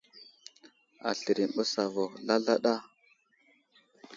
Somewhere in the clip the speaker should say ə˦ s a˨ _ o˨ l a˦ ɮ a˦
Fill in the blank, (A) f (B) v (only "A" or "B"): B